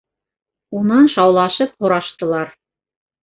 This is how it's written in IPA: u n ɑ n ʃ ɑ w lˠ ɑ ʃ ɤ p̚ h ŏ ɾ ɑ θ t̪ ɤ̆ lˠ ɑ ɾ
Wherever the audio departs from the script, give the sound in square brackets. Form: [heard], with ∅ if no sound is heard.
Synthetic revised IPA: u n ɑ n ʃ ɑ w lˠ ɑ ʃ ɤ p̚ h ŏ ɾ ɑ [ʃ] t̪ ɤ̆ lˠ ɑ ɾ